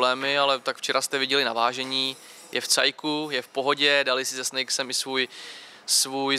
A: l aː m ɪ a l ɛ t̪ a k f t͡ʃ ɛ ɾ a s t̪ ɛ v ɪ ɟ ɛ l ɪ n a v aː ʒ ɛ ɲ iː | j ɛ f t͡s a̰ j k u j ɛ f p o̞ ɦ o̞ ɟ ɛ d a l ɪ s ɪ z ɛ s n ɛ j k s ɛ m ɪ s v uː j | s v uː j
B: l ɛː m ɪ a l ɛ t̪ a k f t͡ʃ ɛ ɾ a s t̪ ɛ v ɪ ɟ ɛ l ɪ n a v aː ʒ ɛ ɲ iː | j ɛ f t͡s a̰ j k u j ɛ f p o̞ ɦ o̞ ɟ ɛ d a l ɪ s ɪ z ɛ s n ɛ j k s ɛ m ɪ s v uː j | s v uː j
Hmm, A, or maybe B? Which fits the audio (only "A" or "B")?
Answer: B